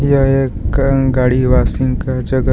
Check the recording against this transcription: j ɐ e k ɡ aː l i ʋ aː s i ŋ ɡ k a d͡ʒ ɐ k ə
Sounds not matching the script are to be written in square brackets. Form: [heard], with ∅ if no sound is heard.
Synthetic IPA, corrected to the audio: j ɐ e k ɡ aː [ɽ] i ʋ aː s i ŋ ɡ k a d͡ʒ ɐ [ɡ] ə